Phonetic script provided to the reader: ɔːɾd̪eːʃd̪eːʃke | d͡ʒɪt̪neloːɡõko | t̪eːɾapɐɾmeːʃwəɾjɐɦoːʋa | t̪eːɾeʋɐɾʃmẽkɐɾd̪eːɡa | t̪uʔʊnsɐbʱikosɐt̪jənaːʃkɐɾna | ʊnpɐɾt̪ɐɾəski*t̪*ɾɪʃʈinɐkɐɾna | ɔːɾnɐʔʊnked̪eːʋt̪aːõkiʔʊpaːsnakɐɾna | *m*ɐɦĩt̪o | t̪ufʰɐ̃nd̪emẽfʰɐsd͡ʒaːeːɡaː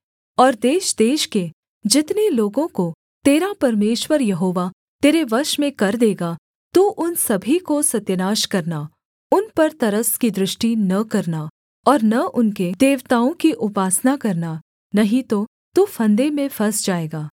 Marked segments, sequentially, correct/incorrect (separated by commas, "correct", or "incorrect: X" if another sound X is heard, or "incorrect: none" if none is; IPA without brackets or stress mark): incorrect: d̪, incorrect: n